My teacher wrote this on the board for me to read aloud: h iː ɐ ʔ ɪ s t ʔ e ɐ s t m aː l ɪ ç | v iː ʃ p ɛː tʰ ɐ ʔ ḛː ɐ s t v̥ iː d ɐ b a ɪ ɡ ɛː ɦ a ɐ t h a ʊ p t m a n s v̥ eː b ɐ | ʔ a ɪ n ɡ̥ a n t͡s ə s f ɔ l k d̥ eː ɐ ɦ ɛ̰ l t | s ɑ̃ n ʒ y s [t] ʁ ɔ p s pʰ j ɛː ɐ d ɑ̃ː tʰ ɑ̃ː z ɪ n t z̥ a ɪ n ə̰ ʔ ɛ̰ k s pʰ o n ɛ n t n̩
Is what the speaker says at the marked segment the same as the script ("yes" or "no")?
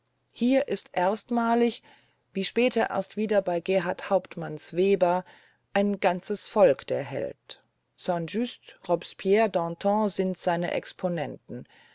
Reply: yes